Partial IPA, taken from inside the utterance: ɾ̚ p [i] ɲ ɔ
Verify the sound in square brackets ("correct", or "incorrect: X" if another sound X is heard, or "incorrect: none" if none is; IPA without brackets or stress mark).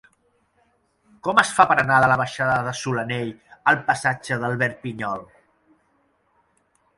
correct